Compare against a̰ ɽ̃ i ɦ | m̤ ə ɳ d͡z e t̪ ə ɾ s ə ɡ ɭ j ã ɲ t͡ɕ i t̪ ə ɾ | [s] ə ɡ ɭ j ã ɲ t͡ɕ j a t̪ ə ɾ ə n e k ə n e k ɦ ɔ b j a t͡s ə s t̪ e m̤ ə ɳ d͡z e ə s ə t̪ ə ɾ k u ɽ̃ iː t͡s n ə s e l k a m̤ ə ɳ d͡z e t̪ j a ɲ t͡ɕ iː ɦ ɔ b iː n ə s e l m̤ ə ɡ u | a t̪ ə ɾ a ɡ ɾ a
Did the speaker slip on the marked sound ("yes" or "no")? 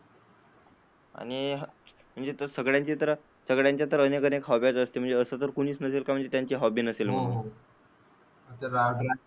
no